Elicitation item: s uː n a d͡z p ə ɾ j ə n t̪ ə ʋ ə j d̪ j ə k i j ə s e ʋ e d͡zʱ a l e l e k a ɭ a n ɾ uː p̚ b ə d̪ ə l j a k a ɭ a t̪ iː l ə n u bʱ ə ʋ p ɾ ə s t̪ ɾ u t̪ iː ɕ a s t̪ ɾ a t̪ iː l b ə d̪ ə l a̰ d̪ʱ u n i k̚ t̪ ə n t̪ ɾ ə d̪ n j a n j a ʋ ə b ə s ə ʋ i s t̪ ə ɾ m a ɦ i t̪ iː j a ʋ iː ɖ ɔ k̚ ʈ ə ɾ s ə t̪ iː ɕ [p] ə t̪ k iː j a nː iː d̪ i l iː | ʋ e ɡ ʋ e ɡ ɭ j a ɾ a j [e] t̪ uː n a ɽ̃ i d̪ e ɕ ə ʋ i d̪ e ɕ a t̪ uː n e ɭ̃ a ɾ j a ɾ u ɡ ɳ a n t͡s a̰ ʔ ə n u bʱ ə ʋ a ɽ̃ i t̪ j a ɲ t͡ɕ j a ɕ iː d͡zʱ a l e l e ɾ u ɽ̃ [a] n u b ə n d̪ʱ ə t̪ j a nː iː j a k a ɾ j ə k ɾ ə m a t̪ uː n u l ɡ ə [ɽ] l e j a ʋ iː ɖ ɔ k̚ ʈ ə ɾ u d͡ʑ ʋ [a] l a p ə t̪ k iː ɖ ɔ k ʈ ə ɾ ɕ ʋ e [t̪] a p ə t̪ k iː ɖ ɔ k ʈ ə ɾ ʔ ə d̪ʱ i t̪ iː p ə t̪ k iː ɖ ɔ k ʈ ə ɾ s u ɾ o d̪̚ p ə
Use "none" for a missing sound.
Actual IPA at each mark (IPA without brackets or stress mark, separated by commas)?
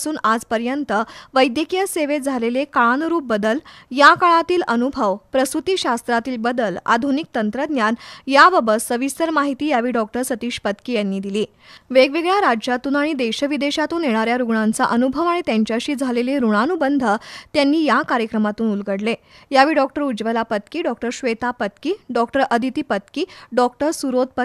p, a, a, ɽ, ə, t̪